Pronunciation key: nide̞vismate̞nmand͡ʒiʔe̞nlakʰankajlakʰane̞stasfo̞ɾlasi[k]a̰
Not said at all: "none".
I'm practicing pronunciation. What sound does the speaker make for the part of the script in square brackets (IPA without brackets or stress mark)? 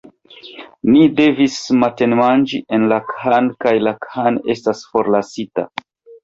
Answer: t